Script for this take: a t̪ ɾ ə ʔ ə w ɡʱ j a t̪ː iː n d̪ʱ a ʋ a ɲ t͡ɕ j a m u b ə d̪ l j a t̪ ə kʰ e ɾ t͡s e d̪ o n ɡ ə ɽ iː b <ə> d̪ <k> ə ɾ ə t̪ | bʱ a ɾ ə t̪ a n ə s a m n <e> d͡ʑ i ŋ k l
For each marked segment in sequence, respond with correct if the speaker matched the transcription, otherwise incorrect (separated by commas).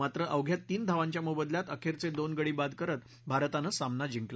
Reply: incorrect, correct, incorrect